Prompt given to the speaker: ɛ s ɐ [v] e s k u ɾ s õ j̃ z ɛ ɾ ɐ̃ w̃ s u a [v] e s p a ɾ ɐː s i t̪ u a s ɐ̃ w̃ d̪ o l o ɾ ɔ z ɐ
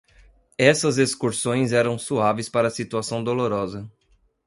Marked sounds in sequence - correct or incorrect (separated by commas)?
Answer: incorrect, correct